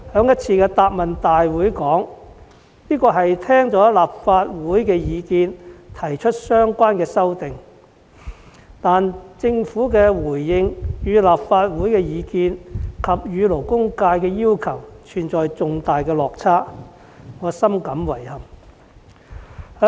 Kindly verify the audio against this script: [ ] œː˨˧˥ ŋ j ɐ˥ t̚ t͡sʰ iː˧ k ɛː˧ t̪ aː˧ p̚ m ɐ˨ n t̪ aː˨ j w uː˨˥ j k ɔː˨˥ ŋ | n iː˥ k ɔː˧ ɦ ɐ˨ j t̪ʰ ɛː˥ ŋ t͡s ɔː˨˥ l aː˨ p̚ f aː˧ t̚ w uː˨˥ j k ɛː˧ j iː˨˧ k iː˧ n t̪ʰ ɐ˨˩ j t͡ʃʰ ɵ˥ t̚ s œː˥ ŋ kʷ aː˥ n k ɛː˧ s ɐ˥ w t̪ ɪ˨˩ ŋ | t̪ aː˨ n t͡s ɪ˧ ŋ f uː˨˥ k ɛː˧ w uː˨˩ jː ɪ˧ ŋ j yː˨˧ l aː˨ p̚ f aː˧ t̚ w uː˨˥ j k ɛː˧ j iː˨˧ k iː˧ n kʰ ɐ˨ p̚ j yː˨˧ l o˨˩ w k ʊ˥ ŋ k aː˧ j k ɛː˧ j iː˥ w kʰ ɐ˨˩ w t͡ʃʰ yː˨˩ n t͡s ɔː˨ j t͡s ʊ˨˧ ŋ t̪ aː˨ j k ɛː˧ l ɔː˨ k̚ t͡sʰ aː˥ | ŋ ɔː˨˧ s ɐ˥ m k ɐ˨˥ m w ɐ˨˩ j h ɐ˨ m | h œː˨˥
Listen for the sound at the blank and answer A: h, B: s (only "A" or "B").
A